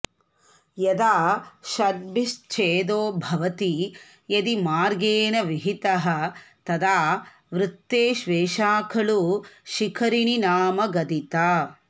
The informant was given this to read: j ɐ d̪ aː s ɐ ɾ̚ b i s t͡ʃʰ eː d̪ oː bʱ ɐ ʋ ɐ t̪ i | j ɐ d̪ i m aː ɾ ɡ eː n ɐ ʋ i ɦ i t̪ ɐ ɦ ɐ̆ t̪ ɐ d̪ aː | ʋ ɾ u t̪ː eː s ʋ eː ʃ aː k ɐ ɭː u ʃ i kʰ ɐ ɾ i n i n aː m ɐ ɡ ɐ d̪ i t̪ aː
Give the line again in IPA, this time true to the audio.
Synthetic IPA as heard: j ɐ d̪ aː ʃ ɐ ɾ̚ b i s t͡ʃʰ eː d̪ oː bʱ ɐ ʋ ɐ t̪ i | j ɐ d̪ i m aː ɾ ɡ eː n ɐ ʋ i ɦ i t̪ ɐ ɦ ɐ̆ t̪ ɐ d̪ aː | ʋ ɾ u t̪ː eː ʃ ʋ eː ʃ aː kʰ ɐ ɭ u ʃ i kʰ ɐ ɾ i n i n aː m ɐ ɡ ɐ d̪ i t̪ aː